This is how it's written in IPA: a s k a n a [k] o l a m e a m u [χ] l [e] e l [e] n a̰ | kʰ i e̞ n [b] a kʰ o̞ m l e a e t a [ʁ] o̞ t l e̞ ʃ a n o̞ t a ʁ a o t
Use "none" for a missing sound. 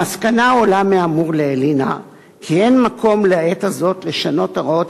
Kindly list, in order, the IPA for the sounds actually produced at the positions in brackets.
none, ʁ, e, i, m, z

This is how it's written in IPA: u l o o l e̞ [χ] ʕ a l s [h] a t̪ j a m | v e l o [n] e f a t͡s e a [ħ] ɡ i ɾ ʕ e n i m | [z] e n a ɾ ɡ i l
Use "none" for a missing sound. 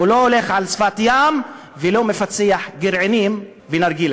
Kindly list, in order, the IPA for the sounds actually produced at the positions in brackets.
χ, f, m, ħ, v

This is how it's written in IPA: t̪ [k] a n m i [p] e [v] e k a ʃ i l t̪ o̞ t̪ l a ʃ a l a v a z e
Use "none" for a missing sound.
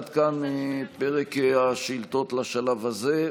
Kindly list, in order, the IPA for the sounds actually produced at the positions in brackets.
k, p, ʁ

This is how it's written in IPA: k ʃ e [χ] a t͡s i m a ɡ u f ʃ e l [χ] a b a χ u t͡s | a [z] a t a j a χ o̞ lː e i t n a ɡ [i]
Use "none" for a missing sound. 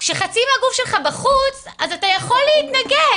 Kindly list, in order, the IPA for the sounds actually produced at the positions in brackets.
χ, χ, z, e

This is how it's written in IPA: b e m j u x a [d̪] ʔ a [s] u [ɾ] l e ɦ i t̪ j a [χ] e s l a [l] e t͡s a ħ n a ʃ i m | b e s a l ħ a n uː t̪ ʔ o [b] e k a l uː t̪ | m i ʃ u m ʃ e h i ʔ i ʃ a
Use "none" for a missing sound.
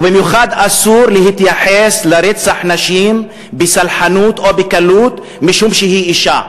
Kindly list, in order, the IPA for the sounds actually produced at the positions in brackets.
d̪, s, ɾ, ħ, ɾ, b

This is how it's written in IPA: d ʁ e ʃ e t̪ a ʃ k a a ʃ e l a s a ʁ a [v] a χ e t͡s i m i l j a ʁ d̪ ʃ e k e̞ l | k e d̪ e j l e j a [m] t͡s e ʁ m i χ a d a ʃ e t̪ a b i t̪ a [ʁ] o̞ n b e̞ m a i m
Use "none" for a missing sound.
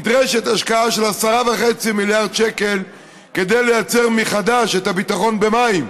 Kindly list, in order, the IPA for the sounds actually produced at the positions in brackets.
v, none, χ

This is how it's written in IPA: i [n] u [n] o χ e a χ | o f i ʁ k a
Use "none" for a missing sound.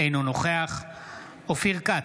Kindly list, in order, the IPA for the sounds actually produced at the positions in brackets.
n, n

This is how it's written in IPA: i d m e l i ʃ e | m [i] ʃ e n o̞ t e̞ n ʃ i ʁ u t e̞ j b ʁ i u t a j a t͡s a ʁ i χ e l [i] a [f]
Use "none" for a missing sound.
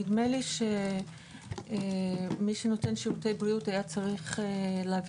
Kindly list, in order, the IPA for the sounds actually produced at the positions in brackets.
i, e, v

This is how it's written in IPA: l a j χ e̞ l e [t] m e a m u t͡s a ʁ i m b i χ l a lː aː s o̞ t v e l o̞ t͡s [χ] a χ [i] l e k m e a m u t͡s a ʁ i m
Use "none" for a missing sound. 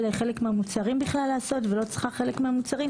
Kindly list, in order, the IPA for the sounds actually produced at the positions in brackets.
k, χ, e

